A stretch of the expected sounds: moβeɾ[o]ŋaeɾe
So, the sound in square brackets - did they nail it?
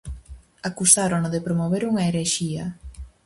no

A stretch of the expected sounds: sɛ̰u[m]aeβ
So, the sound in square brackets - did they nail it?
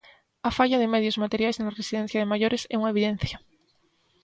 no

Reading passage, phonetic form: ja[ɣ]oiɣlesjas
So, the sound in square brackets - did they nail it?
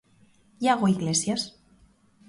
yes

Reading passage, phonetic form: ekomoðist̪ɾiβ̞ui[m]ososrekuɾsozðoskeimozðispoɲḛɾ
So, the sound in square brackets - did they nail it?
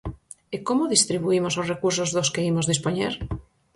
yes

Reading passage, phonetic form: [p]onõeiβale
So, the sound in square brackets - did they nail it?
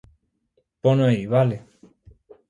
yes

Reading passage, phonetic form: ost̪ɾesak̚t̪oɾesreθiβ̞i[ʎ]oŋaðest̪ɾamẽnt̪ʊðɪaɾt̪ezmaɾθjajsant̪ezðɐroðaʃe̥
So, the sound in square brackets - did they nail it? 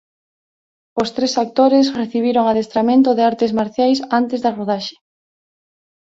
no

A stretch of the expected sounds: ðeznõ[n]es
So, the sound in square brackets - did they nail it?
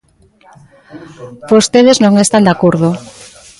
no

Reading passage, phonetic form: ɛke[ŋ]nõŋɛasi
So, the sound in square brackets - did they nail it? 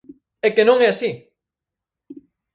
no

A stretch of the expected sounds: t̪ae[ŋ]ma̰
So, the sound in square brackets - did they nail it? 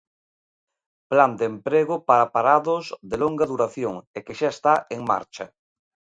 yes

